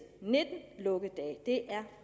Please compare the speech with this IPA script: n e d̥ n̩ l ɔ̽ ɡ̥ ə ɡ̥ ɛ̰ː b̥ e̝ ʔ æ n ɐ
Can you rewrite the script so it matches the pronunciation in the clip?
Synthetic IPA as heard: n e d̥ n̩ l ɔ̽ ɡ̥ ə d̥ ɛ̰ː d̥ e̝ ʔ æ ɐ